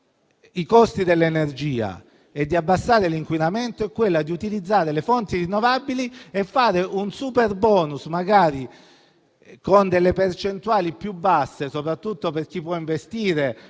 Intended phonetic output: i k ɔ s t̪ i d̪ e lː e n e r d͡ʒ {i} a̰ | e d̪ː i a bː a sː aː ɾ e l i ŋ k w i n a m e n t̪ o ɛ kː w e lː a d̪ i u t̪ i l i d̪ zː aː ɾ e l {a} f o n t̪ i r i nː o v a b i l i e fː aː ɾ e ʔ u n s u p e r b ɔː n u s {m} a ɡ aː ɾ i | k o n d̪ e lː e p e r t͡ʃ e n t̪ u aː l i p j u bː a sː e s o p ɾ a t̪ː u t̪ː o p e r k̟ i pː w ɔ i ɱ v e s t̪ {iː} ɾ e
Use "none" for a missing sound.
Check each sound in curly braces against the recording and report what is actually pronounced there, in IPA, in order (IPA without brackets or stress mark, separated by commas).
iː, e, m, iː